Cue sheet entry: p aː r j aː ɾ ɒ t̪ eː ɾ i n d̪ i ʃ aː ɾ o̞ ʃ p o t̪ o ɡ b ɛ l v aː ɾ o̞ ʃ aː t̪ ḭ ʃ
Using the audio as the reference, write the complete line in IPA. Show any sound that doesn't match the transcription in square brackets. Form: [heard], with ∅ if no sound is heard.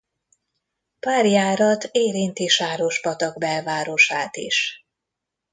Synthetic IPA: p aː r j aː ɾ ɒ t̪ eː ɾ i n [t̪] i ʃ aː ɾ o̞ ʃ p [ɒ] t̪ [ɒ] ɡ b ɛ l v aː ɾ o̞ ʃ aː t̪ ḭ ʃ